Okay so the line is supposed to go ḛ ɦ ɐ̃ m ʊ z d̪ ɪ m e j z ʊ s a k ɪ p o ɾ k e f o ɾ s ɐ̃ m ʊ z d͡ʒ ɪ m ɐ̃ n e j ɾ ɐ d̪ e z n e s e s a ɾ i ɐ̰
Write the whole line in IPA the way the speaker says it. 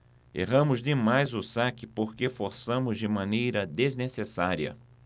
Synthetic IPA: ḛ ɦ ɐ̃ m ʊ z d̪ ɪ m a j z ʊ s a k ɪ p o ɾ k e f o ɾ s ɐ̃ m ʊ z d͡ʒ ɪ m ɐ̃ n e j ɾ ɐ d̪ e z n e s e s a ɾ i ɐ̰